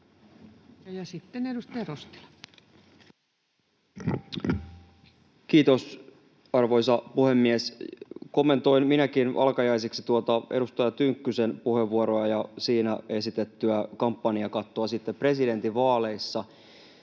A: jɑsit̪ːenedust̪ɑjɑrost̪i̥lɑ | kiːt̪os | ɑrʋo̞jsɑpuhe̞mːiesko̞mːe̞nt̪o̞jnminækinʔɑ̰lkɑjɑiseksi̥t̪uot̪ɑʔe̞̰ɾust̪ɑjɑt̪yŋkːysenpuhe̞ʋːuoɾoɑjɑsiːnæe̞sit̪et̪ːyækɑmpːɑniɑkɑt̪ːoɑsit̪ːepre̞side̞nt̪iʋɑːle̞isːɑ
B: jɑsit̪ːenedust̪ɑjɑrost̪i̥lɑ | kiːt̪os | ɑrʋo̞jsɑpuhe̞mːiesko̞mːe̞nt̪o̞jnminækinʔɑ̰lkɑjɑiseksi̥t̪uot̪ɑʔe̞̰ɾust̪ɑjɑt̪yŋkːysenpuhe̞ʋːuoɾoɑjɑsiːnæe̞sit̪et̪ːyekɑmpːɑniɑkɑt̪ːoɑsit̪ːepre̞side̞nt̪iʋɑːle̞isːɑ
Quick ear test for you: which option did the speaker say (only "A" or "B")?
A